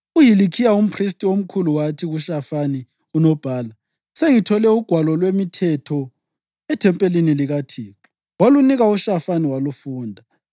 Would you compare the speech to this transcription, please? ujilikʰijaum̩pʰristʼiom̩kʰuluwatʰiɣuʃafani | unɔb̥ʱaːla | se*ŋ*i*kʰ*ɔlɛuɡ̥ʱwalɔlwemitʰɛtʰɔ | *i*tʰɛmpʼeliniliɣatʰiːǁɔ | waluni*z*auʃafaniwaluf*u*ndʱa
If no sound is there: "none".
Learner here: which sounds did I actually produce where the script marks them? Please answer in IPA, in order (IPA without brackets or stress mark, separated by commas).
ŋ, tʰ, ɛ, ɣ, uː